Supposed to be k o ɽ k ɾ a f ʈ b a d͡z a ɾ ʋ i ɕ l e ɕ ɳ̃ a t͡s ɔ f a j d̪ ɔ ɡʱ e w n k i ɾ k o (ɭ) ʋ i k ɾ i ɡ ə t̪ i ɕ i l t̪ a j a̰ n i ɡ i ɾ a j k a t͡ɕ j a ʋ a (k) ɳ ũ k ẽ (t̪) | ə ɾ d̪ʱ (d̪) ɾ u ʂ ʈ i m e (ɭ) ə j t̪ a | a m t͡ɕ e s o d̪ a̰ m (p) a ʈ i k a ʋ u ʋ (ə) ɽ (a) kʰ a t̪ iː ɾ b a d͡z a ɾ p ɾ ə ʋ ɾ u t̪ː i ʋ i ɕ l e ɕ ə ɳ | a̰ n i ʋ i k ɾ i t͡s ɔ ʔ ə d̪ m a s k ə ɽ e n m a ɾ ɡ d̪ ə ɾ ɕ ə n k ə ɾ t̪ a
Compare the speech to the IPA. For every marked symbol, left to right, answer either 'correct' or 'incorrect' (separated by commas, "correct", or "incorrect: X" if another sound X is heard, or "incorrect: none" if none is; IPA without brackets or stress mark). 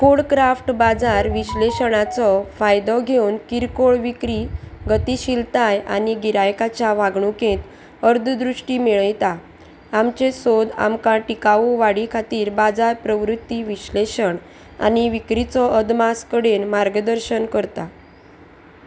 correct, incorrect: ɡ, correct, correct, correct, incorrect: k, incorrect: a, incorrect: i